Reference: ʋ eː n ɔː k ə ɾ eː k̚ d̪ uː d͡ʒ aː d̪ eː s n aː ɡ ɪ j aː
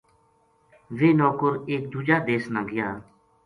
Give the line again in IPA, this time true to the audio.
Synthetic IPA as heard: ʋ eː n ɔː k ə ɾ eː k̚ d̪ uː d͡ʒ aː d̪ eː s n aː ɡ ɪ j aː